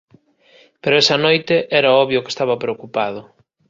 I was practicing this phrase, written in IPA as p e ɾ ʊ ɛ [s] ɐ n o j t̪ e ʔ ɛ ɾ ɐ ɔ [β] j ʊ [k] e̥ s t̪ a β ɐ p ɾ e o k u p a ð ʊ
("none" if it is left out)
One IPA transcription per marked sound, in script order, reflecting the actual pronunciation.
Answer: s, β, k

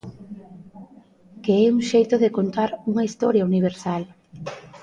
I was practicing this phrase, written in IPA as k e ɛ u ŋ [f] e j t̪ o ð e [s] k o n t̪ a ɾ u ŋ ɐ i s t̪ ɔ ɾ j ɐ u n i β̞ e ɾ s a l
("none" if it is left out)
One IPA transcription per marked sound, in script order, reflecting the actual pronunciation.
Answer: ʃ, none

